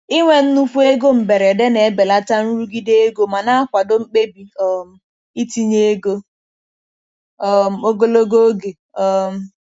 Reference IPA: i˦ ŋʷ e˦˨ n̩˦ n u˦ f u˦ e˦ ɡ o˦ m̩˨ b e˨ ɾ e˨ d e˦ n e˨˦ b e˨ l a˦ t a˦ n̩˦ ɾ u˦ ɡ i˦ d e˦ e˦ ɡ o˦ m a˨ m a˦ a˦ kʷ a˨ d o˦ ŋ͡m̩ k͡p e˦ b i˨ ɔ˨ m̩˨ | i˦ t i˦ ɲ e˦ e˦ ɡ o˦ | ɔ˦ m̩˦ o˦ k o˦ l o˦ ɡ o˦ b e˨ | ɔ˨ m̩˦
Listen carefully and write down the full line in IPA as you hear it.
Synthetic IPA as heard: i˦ ŋʷ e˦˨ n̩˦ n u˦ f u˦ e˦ ɡ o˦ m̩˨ b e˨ ɾ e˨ d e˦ n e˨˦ b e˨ l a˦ t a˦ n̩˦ ɾ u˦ ɡ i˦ d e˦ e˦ ɡ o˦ m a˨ n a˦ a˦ kʷ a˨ d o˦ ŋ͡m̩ k͡p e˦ b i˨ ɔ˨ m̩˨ | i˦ t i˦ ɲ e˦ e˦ ɡ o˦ | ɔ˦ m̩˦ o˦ ɡ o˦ l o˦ ɡ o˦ ɡ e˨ | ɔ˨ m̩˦